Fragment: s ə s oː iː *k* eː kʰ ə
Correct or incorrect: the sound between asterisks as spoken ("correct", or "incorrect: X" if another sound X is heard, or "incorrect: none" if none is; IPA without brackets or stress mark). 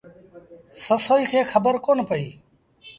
incorrect: kʰ